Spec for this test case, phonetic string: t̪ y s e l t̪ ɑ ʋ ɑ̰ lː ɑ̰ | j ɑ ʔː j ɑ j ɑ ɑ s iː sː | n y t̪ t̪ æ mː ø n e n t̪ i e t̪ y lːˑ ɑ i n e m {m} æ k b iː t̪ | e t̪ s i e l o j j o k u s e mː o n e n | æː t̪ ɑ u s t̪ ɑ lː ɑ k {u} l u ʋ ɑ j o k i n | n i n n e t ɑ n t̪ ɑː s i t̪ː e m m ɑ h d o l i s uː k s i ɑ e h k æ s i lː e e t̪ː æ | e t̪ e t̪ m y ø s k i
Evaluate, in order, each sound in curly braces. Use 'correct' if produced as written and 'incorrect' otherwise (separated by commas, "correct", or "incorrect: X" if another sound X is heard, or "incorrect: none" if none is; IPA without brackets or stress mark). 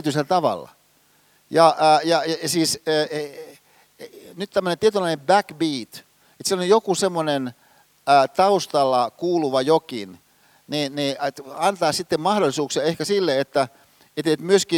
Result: incorrect: b, incorrect: uː